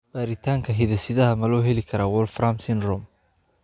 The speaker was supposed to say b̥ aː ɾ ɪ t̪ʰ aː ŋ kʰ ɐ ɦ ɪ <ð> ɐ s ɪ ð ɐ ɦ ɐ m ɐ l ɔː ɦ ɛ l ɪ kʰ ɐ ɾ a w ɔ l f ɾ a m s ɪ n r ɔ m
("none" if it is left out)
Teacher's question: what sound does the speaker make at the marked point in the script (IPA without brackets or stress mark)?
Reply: ð